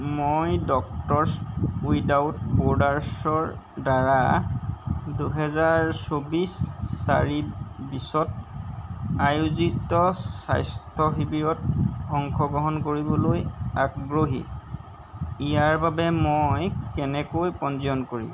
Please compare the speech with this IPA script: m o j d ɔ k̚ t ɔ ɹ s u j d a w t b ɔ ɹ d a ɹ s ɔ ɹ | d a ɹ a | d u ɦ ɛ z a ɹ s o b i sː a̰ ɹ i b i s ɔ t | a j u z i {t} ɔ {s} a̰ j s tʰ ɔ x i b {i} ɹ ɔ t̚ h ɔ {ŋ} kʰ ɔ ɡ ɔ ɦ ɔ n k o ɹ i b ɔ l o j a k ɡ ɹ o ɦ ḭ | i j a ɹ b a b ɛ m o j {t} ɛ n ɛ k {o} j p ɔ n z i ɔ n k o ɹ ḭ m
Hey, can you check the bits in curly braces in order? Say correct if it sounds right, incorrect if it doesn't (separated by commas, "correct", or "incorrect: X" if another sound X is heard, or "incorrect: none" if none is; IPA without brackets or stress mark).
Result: correct, correct, correct, correct, incorrect: k, correct